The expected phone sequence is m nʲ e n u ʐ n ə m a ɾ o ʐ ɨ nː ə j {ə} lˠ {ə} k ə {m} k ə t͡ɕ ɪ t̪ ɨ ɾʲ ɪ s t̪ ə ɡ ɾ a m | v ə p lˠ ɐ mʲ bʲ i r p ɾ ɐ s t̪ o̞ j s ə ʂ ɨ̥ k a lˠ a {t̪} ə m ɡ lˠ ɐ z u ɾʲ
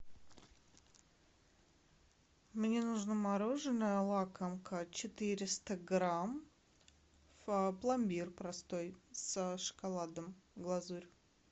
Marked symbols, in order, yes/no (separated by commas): yes, no, yes, no